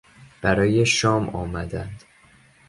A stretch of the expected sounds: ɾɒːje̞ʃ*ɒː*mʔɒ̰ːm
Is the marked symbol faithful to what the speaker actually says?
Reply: yes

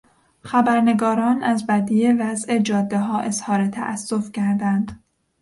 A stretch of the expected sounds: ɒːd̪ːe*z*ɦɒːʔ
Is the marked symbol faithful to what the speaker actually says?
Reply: no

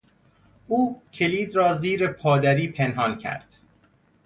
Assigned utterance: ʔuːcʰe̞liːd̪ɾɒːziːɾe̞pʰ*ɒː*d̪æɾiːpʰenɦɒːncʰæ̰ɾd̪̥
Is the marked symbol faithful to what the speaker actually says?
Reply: yes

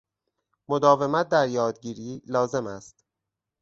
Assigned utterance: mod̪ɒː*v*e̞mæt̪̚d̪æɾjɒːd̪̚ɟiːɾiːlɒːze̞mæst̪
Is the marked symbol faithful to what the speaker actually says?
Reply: yes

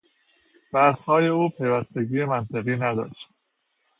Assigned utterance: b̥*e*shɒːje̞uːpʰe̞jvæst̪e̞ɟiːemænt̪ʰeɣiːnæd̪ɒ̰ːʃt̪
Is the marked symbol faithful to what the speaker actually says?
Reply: no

